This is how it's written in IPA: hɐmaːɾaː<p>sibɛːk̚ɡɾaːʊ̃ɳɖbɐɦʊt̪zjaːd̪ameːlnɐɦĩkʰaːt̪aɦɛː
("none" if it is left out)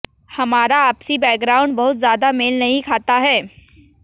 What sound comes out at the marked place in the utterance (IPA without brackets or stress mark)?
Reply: p